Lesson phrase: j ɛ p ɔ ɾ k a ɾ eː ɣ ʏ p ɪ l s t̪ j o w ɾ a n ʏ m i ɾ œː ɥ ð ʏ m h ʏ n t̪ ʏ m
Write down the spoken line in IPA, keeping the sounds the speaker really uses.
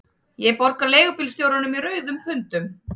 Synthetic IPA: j ɛ p ɔ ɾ k a l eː ɣ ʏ p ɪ l s t̪ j o w ɾ a n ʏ m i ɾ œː ɥ ð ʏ m h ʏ n t̪ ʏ m